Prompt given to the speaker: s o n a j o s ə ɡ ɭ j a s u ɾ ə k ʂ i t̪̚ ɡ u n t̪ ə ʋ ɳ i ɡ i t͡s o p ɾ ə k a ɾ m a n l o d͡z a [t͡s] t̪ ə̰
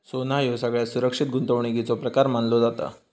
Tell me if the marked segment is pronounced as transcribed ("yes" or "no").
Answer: no